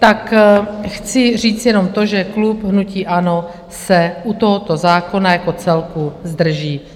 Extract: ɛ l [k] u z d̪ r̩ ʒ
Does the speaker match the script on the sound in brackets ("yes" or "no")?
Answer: yes